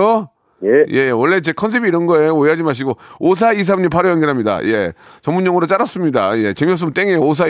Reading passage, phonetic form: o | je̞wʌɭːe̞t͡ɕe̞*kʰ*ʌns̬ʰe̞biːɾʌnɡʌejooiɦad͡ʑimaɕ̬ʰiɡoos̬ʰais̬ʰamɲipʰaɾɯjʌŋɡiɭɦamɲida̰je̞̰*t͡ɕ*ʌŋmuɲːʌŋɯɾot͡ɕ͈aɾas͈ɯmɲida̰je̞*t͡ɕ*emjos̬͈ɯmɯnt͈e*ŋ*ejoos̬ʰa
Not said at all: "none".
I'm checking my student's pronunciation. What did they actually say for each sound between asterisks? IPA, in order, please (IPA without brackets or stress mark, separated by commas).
kʰ, t͡ɕ, t͡ɕ, ŋ